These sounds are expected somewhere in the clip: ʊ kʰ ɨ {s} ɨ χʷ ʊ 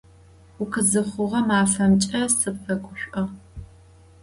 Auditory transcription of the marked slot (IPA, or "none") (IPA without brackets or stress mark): z